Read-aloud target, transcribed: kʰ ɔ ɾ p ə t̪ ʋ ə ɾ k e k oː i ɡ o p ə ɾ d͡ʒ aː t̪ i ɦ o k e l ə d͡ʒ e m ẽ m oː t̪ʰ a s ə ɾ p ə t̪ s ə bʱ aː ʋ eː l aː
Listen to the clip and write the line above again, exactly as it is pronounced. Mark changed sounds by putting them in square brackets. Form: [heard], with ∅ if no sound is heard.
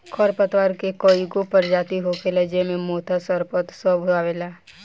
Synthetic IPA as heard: kʰ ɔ ɾ p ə t̪ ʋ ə ɾ k e k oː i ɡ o p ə ɾ d͡ʒ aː t̪ i ɦ o k e l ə d͡ʒ e m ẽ m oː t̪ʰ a s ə ɾ p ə t̪ s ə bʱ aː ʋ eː l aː